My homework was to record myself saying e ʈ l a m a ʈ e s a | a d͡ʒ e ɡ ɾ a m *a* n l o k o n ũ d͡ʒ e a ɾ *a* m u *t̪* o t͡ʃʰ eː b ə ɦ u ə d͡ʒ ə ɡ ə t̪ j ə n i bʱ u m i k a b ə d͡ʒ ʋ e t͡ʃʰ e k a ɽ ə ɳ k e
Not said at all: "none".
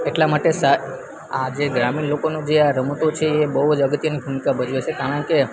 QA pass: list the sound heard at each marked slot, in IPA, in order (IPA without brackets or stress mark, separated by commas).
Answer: i, ə, t̪